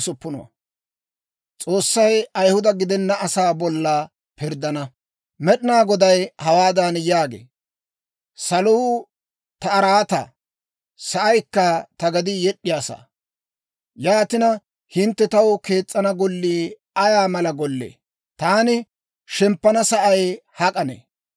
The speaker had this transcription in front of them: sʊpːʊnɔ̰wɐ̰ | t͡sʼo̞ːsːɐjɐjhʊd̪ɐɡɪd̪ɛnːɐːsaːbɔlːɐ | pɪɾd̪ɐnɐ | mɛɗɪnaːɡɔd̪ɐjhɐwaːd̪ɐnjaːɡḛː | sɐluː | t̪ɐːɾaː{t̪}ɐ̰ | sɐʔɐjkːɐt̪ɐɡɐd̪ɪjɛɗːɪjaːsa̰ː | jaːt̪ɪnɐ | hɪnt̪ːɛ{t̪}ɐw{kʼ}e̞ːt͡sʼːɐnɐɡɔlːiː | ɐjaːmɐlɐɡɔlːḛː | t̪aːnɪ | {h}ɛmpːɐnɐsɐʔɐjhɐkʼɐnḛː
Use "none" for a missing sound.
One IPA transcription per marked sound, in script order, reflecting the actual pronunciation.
t̪, t̪, k, ʃ

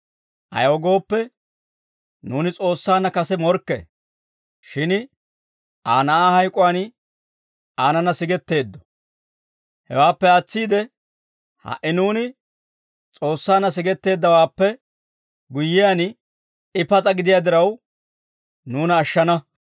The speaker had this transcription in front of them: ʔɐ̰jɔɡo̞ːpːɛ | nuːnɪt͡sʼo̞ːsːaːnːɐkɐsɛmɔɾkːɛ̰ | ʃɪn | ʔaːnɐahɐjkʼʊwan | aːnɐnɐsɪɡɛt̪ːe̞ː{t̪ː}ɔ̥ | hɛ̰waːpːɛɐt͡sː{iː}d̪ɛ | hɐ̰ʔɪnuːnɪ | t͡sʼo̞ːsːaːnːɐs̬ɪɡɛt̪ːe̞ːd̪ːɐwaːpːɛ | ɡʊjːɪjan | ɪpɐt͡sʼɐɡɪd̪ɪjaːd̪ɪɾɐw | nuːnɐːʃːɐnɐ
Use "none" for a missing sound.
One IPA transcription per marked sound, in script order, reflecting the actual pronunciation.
d̪ː, iː

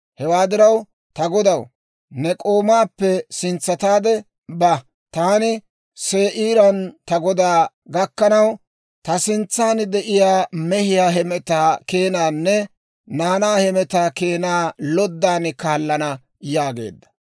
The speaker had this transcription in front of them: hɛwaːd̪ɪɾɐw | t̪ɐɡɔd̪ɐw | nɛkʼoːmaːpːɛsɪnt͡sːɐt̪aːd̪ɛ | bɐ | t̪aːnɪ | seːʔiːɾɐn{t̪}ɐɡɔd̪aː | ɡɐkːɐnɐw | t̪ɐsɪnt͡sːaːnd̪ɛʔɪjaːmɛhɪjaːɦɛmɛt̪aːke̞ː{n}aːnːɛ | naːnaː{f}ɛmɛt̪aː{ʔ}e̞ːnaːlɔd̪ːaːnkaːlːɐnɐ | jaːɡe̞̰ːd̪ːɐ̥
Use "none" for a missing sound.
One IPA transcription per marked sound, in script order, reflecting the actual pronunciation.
t̪, n, h, k

